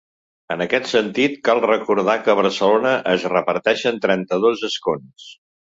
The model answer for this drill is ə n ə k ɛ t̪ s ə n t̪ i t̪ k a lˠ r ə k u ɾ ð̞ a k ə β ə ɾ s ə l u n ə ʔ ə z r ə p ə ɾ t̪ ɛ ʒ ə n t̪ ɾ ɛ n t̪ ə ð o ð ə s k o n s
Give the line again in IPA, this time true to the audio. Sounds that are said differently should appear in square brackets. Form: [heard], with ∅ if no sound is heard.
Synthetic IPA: ə n ə k ɛ t̪ s ə n t̪ i t̪ k a lˠ r ə k u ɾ ð̞ a k ə β ə ɾ s ə l [o] n ə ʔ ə z r ə p ə ɾ t̪ ɛ [ʃ] ə n t̪ ɾ ɛ n t̪ ə ð o [z] ə s k o n s